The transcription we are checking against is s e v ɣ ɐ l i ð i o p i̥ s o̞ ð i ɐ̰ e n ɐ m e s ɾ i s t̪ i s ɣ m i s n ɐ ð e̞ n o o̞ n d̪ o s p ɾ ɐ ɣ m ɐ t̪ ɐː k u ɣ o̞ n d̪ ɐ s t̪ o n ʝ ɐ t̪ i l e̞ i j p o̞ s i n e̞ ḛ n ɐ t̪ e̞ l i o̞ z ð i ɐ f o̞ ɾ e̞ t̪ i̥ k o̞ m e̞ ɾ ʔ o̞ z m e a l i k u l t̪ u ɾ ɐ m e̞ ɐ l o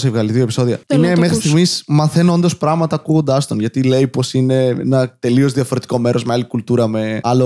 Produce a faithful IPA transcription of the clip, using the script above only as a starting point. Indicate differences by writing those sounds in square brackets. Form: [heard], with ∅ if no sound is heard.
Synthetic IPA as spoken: s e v ɣ ɐ l i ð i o p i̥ s o̞ ð i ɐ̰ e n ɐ m e [x] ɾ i s t̪ i [∅] ɣ m i s [m] ɐ [θ] e̞ n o o̞ n d̪ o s p ɾ ɐ ɣ m ɐ t̪ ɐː k u ɣ o̞ n d̪ ɐ s t̪ o n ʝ ɐ t̪ i l e̞ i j p o̞ s i n e̞ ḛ n ɐ t̪ e̞ l i o̞ z ð i ɐ f o̞ ɾ e̞ t̪ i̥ k o̞ m e̞ ɾ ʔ o̞ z m e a l i k u l t̪ u ɾ ɐ m e̞ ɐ l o